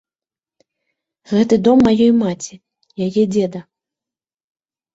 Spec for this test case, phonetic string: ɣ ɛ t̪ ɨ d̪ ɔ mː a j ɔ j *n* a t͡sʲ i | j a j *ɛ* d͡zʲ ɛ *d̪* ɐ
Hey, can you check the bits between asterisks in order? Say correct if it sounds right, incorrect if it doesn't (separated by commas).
incorrect, correct, correct